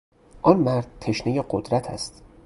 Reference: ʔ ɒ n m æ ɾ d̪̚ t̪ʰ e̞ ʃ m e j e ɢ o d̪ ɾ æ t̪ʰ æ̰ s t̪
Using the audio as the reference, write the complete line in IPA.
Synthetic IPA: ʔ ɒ n m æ ɾ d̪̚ t̪ʰ e̞ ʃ n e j e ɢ o d̪ ɾ æ t̪ʰ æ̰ s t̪